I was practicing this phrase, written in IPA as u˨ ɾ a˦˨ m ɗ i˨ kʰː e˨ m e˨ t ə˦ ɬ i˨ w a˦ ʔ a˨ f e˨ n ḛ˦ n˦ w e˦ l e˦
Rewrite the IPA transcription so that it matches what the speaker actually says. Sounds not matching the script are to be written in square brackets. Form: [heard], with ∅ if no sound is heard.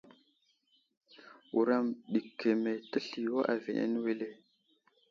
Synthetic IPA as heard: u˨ ɾ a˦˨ m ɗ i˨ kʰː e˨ m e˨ t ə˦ ɬ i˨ w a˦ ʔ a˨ [v] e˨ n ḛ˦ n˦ w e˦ l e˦